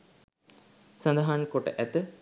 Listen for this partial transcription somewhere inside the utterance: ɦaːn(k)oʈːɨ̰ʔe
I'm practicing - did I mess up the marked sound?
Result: no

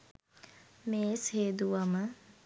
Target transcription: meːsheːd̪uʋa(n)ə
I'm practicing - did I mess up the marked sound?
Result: yes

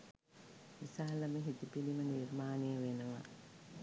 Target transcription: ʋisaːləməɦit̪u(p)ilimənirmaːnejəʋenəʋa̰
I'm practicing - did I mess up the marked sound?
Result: no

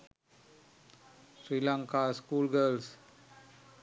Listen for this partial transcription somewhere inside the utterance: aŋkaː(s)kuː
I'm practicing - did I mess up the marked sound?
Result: no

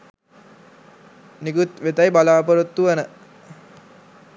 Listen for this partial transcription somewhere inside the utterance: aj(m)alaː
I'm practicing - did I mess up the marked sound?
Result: yes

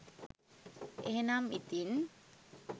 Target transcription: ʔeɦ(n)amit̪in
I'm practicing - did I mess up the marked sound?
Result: no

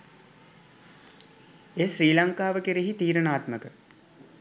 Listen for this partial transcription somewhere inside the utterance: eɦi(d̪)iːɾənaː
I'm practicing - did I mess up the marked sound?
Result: yes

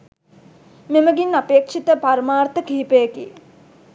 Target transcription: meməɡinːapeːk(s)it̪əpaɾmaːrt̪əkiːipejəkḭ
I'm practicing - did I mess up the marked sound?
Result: yes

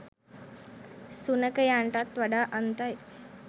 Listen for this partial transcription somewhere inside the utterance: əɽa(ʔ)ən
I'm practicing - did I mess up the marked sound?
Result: no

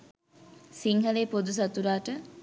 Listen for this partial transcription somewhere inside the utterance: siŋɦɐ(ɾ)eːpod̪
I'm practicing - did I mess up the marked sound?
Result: yes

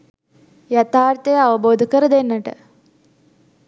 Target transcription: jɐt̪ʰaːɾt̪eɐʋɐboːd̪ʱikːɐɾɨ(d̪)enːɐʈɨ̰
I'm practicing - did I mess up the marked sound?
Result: no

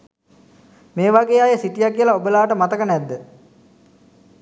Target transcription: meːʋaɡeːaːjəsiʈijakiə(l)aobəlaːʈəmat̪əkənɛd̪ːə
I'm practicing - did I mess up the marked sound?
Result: no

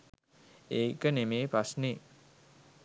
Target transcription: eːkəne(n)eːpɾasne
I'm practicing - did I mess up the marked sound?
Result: yes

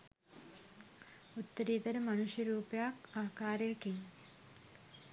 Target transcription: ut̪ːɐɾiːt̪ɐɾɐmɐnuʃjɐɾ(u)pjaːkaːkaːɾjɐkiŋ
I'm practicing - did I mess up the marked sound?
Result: yes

